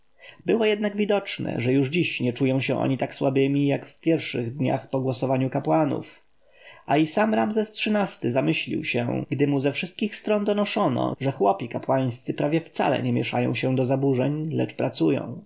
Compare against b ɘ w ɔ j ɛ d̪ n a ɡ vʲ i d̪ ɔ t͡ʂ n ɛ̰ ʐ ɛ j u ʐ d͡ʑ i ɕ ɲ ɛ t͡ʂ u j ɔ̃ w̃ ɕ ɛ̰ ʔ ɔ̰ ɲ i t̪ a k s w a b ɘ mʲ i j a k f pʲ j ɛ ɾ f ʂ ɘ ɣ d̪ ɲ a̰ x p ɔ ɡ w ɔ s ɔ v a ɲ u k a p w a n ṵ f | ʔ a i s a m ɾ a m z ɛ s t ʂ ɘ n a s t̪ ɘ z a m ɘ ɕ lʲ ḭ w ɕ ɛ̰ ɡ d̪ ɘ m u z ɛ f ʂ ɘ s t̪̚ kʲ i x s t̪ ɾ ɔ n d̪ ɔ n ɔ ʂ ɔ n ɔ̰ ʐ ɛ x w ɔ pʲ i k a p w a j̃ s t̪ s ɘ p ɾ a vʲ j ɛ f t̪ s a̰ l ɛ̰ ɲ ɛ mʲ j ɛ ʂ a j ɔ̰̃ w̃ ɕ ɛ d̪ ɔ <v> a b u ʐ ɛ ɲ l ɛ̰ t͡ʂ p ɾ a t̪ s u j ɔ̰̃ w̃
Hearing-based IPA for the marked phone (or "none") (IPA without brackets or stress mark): z